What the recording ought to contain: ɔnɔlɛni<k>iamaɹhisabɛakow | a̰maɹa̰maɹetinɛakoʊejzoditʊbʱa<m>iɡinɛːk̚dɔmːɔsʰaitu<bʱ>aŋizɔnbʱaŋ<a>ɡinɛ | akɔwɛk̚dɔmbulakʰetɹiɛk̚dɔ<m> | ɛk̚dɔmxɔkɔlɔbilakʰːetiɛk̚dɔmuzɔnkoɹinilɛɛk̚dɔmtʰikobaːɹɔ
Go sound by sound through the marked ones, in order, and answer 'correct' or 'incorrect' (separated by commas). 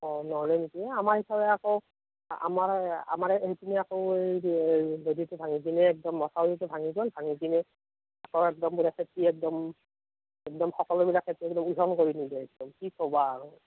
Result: correct, incorrect, correct, incorrect, correct